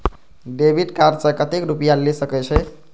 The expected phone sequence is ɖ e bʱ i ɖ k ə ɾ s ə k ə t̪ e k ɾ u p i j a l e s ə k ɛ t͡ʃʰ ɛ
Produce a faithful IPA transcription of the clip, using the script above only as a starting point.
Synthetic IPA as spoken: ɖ e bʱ i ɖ k a ɾ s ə k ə t̪ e k ɾ u p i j a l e s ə k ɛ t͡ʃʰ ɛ